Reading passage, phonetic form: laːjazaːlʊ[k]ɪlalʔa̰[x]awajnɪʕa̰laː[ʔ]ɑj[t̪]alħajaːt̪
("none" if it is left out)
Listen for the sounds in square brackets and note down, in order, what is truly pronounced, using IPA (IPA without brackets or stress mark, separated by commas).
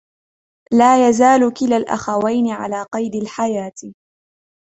k, x, q, d̪